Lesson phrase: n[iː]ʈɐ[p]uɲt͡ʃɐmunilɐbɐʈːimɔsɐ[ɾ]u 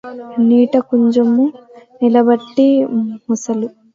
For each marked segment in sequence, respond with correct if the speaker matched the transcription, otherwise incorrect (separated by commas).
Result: correct, incorrect, incorrect